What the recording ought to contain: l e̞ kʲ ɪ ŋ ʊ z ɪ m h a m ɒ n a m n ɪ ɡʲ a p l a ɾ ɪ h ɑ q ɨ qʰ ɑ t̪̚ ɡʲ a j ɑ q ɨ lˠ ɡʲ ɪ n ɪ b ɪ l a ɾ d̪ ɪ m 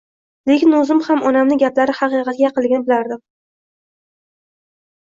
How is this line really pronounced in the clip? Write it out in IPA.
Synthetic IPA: l e̞ kʲ ɪ n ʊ z ɪ m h a m ɒ n a m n ɪ ɡʲ a p l a ɾ ɪ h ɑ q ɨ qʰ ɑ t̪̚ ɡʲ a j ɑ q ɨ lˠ ɡʲ ɪ n ɪ b ɪ l a ɾ d̪ ɪ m